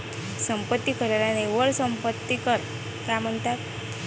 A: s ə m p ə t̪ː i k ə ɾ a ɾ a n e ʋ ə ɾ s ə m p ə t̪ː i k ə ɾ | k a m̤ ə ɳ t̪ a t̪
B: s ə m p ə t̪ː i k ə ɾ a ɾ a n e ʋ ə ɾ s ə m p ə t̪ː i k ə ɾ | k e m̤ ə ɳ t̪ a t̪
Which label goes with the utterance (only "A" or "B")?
A